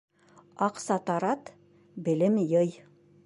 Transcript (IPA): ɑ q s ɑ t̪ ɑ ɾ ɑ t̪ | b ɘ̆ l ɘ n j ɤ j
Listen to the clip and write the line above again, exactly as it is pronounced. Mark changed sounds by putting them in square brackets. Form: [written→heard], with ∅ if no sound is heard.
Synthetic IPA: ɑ q s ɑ t̪ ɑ ɾ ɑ t̪ | b ɘ̆ l ɘ [n→m] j ɤ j